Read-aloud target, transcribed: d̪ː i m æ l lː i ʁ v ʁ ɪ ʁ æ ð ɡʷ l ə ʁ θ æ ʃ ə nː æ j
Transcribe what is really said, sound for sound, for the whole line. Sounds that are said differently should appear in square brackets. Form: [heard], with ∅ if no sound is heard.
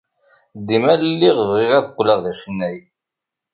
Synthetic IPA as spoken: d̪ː i m æ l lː i ʁ v ʁ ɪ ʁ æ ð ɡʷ l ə ʁ [ð] æ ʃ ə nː æ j